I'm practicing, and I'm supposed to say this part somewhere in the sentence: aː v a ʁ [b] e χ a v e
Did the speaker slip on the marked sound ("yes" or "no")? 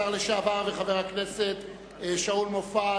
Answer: yes